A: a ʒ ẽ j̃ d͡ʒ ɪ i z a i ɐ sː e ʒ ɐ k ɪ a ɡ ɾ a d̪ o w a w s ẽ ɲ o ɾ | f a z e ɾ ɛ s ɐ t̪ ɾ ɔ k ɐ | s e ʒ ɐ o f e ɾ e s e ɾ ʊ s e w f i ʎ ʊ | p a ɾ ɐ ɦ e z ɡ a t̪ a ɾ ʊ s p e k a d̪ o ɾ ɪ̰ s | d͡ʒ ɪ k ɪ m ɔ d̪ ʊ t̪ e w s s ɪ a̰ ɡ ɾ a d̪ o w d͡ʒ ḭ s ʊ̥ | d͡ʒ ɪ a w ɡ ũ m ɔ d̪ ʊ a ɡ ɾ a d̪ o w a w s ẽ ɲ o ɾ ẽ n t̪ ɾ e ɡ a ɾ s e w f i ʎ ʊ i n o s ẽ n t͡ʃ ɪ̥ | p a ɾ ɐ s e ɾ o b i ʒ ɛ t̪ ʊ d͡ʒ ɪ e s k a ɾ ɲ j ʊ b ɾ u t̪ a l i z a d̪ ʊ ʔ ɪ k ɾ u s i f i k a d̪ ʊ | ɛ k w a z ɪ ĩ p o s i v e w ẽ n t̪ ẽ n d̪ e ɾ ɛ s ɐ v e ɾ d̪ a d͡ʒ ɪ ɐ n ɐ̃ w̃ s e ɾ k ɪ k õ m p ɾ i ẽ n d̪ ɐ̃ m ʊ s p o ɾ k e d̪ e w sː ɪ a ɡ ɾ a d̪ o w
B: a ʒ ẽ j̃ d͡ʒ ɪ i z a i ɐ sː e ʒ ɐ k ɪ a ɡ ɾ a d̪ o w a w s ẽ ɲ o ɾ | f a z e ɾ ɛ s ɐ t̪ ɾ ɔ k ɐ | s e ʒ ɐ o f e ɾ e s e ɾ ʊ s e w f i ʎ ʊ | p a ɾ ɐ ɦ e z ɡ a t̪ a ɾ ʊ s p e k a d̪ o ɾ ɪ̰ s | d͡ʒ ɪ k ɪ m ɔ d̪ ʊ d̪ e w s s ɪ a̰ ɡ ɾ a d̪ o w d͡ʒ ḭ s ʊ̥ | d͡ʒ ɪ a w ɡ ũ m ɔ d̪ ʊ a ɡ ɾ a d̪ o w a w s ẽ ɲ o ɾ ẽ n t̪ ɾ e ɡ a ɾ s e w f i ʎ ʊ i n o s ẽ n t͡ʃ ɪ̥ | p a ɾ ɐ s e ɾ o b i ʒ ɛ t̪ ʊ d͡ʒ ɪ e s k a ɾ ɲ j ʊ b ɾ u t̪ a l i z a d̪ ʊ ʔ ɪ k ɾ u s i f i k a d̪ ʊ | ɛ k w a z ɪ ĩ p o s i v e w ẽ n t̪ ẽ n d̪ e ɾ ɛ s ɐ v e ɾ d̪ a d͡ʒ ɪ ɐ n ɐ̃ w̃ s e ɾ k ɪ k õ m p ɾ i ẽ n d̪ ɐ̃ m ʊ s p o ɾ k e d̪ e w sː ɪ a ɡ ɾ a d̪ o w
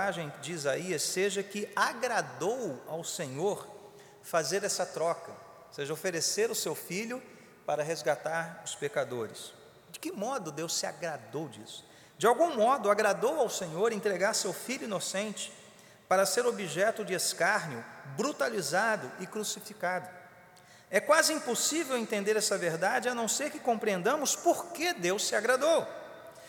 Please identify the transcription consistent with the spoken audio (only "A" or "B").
B